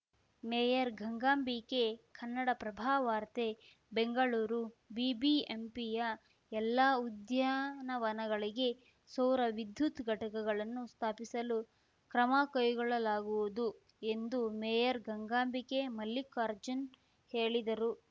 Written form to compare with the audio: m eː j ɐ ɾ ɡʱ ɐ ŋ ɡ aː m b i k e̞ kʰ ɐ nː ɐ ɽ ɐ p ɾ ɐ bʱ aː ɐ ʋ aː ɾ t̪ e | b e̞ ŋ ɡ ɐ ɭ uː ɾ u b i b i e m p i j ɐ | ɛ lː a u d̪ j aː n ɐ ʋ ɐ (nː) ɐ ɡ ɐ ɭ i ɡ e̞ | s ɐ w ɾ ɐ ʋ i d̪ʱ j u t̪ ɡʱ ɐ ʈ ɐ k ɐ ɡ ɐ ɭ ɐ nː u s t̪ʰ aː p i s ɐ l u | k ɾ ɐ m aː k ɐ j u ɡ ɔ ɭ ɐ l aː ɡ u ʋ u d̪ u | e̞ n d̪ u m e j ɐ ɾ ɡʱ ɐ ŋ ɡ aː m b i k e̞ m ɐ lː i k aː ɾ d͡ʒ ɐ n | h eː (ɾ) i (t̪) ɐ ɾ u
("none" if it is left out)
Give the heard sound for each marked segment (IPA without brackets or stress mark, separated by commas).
n, ɭ, d̪